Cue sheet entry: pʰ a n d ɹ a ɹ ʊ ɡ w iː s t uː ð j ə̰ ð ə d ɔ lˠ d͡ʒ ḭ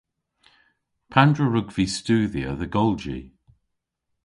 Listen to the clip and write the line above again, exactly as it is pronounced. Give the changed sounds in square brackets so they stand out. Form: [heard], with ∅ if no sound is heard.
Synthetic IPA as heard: pʰ a n d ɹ [ə] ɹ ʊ ɡ [v] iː s t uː ð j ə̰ ð ə [ɡ] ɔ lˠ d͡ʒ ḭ